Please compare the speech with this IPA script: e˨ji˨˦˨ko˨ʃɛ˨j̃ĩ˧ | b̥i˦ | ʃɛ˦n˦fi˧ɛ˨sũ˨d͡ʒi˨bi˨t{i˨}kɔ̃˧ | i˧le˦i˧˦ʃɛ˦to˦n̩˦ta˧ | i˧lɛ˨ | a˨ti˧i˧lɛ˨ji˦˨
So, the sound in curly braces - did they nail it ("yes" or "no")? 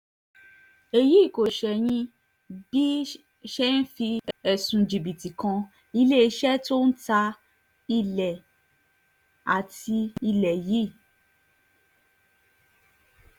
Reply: yes